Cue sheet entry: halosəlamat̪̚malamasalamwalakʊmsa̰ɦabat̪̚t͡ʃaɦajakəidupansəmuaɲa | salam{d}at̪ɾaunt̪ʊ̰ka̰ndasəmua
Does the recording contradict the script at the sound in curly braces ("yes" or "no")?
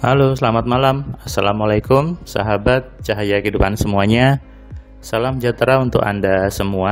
yes